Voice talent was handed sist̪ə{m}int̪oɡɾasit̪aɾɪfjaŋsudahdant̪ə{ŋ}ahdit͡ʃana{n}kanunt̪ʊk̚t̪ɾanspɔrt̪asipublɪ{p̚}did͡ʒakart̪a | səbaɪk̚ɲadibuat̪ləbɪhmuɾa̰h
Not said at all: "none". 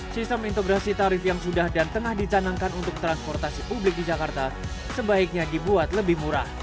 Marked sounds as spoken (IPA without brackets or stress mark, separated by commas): m, ŋ, ŋ, k̚